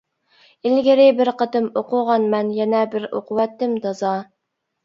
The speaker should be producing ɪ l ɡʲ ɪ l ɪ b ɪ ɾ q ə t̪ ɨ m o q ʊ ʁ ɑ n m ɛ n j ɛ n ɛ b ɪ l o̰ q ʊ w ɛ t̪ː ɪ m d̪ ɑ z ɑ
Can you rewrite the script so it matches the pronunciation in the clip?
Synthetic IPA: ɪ l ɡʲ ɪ ɾ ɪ b ɪ ɾ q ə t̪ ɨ m o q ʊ ʁ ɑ n m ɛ n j ɛ n ɛ b ɪ ɾ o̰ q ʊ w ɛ t̪ː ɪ m d̪ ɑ z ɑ